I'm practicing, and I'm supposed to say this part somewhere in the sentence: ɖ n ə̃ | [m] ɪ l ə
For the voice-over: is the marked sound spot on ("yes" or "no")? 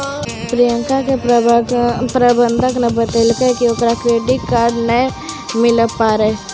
yes